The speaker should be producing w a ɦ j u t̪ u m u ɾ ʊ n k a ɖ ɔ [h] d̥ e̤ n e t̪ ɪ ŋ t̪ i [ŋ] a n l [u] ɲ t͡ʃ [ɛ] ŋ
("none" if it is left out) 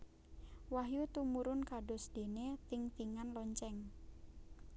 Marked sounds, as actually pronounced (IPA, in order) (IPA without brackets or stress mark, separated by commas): s, ŋ, ɔ, ɛ